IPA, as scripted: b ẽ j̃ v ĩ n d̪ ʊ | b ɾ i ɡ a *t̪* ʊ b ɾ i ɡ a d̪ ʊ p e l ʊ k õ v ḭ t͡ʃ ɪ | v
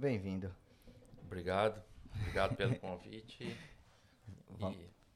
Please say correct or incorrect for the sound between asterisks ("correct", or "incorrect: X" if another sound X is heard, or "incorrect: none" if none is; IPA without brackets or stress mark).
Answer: incorrect: d̪